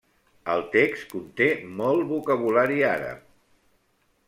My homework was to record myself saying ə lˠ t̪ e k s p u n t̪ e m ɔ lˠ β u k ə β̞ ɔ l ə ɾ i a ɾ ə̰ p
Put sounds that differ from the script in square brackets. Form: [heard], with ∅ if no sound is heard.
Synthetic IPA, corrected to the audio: ə lˠ t̪ e k s [k] u n t̪ e m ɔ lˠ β u k ə β̞ [u] l [a] ɾ i a ɾ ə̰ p